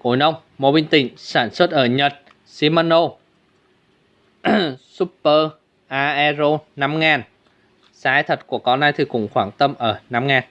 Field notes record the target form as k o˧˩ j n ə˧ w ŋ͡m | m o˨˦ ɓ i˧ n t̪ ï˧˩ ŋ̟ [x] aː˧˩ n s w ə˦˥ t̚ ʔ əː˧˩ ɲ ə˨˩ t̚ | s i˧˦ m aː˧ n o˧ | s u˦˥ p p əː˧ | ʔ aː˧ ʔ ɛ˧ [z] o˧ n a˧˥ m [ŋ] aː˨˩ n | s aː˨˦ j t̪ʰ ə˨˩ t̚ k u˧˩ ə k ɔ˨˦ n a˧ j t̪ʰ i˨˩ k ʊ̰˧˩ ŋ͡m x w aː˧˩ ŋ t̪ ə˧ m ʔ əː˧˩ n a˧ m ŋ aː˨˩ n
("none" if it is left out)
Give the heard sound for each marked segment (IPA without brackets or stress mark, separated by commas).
s, z, ŋ